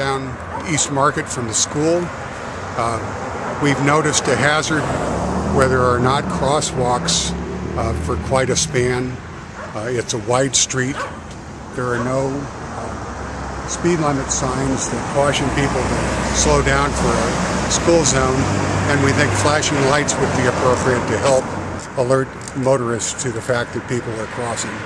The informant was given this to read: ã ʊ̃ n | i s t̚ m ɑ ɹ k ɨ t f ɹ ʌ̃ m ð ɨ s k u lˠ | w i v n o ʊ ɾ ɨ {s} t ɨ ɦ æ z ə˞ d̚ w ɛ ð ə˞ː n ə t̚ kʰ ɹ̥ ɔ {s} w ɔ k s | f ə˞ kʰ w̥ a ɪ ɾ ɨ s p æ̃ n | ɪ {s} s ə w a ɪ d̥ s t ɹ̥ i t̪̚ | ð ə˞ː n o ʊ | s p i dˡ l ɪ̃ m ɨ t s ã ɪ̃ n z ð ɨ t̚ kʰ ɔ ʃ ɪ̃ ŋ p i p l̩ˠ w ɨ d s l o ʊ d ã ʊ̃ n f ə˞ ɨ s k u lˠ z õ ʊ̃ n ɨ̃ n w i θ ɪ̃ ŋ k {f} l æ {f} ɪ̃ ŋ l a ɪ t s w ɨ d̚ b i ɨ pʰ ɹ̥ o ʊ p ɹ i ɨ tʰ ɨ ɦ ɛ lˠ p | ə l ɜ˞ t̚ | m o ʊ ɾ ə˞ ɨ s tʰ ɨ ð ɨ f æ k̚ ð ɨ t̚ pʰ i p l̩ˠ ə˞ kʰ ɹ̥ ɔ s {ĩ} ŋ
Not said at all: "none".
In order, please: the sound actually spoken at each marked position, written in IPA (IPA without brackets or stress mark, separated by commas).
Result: s, s, t, f, ʃ, ɪ̃